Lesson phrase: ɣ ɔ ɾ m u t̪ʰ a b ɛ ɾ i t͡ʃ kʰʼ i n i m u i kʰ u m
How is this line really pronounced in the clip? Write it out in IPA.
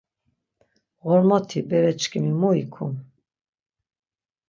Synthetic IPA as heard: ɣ ɔ ɾ m ɔ t̪ʰ i b ɛ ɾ ɛ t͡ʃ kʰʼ i m i m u i kʰ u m